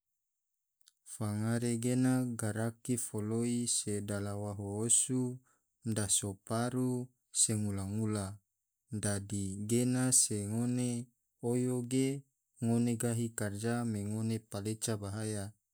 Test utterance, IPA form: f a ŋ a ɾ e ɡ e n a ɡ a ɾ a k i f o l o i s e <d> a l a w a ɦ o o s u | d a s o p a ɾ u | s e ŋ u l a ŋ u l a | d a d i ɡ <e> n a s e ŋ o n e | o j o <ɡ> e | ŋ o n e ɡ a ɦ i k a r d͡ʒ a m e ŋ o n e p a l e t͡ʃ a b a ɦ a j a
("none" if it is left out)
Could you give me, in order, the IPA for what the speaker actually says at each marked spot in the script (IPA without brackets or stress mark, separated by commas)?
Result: d, e, ɡ